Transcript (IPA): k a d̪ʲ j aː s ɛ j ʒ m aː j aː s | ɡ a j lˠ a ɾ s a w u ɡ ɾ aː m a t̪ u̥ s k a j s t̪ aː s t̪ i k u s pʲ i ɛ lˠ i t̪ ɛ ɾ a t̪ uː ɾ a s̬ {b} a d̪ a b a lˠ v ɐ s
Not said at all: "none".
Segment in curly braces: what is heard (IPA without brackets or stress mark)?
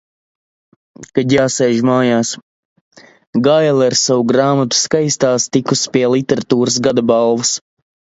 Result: ɡ